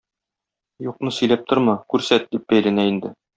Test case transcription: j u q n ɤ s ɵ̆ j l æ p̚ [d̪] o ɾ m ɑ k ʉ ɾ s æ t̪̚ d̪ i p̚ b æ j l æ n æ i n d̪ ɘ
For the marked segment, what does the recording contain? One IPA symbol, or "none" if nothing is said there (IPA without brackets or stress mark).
t̪